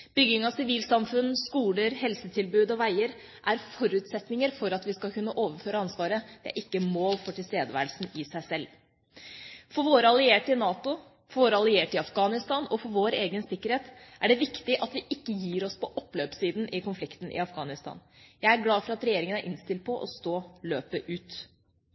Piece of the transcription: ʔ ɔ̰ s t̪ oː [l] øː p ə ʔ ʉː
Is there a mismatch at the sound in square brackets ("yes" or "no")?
no